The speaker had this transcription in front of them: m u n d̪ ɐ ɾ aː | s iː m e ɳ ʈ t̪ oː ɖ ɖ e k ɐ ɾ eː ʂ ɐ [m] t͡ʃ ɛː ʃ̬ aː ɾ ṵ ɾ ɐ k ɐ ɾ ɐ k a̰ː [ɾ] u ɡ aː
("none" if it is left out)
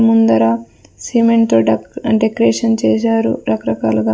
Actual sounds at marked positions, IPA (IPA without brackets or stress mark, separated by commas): n, l